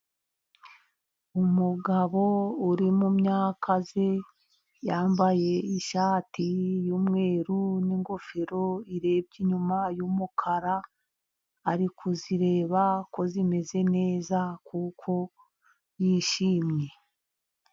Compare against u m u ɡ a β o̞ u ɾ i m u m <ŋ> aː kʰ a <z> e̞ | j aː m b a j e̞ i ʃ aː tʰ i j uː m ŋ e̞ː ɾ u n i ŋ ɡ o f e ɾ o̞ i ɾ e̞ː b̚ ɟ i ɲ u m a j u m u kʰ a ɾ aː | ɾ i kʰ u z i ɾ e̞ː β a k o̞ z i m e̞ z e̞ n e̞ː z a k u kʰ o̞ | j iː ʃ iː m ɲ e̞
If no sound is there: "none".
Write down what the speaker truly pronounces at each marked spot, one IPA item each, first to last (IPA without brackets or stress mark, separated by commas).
ɲ, z